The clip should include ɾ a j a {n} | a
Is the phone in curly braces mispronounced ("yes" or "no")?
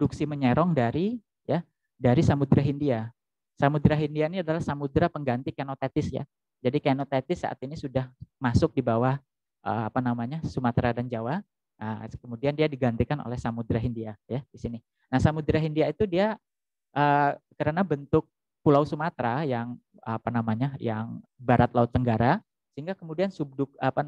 yes